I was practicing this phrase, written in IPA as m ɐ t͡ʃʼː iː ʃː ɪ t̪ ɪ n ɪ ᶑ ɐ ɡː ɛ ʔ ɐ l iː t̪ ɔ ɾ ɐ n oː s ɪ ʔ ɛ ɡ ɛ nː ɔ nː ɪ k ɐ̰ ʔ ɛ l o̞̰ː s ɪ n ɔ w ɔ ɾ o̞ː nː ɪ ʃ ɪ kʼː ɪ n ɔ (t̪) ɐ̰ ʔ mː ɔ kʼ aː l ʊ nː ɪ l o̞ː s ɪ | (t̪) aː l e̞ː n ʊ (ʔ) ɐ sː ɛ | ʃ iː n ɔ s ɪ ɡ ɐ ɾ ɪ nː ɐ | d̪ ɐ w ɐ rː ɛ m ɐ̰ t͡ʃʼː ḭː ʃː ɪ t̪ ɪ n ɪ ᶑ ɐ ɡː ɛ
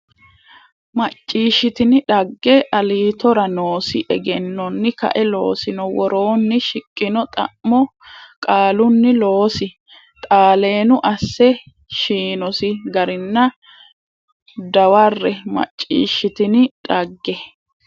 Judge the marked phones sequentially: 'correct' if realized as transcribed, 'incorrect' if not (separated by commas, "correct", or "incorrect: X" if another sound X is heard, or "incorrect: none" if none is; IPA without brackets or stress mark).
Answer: incorrect: t̪ʼ, incorrect: t̪ʼ, correct